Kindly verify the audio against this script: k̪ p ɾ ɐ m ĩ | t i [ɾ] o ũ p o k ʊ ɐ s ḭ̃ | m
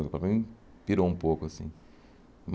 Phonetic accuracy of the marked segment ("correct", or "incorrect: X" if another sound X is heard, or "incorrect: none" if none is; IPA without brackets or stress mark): correct